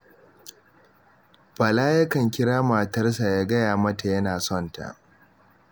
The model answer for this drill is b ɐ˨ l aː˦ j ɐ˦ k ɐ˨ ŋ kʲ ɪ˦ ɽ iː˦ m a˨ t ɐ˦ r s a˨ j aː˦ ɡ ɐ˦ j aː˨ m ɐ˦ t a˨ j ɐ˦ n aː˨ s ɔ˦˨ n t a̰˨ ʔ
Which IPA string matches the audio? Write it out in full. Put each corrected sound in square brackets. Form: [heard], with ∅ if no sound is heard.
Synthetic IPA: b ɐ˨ l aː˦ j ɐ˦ k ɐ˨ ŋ kʲ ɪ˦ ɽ [aː˦] m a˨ t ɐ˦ r s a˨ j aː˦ ɡ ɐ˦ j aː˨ m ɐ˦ t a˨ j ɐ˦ n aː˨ s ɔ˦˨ n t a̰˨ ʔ